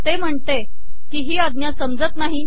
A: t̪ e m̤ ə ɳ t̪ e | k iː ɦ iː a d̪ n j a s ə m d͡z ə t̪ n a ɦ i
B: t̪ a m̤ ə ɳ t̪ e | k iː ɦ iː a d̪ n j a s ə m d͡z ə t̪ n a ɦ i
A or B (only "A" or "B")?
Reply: A